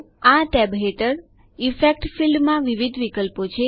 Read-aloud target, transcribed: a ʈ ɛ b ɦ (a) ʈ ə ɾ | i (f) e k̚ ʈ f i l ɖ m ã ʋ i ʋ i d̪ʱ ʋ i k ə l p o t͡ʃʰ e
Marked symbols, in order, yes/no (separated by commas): no, yes